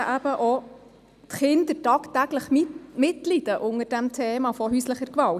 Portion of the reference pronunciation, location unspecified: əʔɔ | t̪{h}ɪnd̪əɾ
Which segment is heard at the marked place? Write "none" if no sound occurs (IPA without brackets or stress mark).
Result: χ